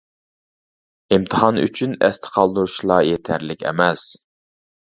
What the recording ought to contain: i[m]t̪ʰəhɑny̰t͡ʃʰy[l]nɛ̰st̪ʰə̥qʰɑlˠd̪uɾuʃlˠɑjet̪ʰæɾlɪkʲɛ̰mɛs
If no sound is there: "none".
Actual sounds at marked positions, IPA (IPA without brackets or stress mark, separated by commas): m, none